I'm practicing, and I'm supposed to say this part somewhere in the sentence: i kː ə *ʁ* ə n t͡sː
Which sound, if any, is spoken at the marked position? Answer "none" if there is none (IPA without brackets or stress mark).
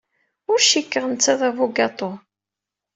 ʁ